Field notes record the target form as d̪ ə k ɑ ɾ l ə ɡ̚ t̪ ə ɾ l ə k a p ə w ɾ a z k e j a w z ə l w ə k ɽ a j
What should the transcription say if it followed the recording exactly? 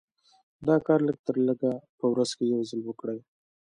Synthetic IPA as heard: d̪ ɑ k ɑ ɾ l ə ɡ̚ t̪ ə ɾ l ə ɡ a p ə w ɾ a z k e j a w z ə l w ə k ɽ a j

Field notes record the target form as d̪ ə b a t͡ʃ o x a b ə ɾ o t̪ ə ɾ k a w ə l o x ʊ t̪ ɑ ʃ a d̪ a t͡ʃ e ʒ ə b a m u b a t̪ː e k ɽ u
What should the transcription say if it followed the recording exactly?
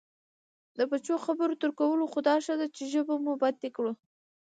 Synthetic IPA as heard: d̪ ə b a t͡ʃ o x a b ə ɾ o t̪ ə ɾ k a w ə l o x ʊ d̪ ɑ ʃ a d̪ a t͡ʃ e ʒ ə b a m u b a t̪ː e k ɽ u

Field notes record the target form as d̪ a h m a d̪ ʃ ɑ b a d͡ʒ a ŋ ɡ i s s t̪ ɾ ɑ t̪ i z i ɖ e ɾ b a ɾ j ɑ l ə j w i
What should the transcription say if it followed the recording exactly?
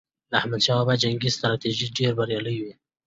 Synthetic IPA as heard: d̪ a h m a d̪ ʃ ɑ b a d͡ʒ a ŋ ɡ i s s t̪ ɾ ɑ t̪ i ʒ i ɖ e ɾ b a ɾ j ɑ l ə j w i

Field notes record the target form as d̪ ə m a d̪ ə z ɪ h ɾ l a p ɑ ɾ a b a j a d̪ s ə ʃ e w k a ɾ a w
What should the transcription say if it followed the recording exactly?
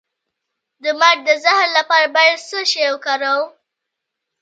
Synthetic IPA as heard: d̪ ə m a d̪ ə z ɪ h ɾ l a p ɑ ɾ a b a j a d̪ s ə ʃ e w k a ɾ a w

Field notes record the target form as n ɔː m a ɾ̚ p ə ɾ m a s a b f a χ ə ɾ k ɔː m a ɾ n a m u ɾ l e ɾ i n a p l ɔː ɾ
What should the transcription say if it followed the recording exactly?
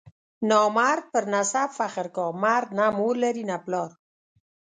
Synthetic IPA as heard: n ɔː m a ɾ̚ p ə ɾ n a s a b f a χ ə ɾ k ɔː m a ɾ n a m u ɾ l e ɾ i n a p l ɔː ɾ

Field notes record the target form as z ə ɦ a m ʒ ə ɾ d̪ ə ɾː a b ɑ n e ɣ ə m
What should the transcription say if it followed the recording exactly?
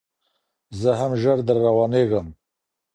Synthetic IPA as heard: z ə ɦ a m ʒ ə ɾ d̪ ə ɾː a w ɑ n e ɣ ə m

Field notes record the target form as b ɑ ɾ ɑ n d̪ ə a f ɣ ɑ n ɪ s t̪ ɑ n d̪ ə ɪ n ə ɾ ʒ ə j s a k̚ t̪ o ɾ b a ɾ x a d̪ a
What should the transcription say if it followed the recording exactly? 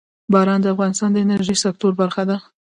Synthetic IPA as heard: b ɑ ɾ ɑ n d̪ ə a f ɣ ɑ n ɪ s t̪ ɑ n d̪ ə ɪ n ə ɾ ʒ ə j s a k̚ t̪ o ɾ b a ɾ x a d̪ a

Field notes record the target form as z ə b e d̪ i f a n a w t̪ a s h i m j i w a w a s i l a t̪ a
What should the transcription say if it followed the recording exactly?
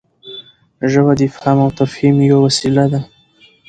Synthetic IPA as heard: ʒ ə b a d̪ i f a m a w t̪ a f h i m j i w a w a s i l a d̪ a

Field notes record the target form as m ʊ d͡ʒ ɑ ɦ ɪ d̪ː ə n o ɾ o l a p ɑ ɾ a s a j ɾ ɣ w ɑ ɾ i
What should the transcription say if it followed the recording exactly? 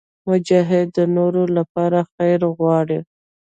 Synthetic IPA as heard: m ʊ d͡ʒ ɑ ɦ ɪ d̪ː ə n o ɾ o l a p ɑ ɾ a x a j ɾ ɣ w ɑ ɽ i

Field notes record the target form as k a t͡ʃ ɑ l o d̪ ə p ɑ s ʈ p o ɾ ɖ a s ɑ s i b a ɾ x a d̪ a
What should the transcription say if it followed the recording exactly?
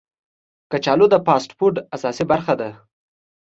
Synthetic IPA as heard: k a t͡ʃ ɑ l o d̪ ə p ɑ s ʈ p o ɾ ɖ a s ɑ s i b a ɾ x a d̪ a

